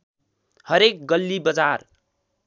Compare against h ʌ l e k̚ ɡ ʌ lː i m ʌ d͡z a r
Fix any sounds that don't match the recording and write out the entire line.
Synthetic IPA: h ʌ ɾ e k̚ ɡ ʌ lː i b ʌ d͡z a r